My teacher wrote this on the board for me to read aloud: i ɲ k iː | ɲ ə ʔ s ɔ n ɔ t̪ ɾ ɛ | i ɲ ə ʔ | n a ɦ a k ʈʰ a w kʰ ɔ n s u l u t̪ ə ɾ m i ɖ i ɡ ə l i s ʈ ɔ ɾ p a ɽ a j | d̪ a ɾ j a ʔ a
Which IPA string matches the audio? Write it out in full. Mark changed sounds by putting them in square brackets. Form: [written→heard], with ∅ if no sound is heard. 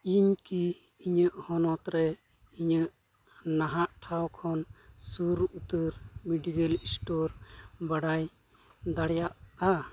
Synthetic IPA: i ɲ k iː | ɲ ə ʔ [s→h] ɔ n ɔ t̪ ɾ ɛ | i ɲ ə ʔ | n a ɦ a [k→ʔ] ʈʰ a w kʰ ɔ n s u [l→ɾ] u t̪ ə ɾ m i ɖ i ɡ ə l i s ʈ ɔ ɾ [p→b] a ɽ a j | d̪ a [ɾ→ɽ] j a ʔ a